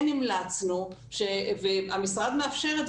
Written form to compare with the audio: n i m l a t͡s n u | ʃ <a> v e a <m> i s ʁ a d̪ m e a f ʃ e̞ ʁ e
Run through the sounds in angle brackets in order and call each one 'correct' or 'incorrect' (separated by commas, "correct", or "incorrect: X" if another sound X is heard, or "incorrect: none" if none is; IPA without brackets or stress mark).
incorrect: e, correct